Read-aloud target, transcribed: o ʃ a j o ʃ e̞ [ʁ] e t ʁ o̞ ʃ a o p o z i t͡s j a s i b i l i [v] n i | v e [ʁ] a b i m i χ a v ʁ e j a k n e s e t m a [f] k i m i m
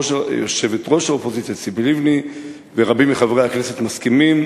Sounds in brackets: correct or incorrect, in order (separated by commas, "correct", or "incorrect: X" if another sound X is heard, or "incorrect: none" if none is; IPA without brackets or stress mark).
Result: incorrect: v, correct, correct, incorrect: s